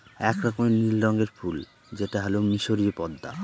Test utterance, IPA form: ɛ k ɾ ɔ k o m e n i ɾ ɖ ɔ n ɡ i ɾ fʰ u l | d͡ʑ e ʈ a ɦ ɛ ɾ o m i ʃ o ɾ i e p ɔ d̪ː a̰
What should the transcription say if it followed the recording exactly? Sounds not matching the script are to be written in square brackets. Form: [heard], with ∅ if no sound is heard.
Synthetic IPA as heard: ɛ k ɾ ɔ k o m e n i [l] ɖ ɔ [ŋ] ɡ [e] ɾ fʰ u l | d͡ʑ e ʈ a ɦ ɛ [l] o m i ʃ o ɾ i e p ɔ d̪ː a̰